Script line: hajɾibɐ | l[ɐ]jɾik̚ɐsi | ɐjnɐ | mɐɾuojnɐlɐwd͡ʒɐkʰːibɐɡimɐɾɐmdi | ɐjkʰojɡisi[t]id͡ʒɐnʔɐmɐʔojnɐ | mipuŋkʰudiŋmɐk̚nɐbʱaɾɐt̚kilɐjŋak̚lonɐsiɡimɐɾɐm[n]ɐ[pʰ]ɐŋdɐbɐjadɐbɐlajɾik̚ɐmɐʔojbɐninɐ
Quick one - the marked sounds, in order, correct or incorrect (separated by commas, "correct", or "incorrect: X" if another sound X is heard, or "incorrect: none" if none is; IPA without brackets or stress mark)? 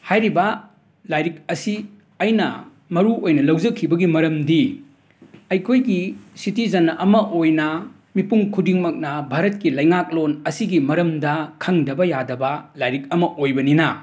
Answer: incorrect: a, correct, incorrect: d, incorrect: kʰ